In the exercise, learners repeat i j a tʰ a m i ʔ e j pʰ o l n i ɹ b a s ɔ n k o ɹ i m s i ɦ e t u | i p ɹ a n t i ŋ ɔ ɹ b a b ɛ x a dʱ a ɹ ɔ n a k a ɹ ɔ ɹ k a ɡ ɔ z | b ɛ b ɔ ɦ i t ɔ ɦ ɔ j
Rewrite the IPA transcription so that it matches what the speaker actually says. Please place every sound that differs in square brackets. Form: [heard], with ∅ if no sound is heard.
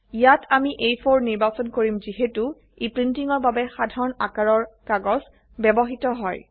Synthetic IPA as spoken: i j a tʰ a m i ʔ e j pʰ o [ɹ] n i ɹ b a s ɔ n k o ɹ i m [z] i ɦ e t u | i p ɹ [i] n t i ŋ ɔ ɹ b a b ɛ x a dʱ a ɹ ɔ n a k a ɹ ɔ ɹ k a ɡ ɔ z | b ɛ b ɔ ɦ i t ɔ ɦ ɔ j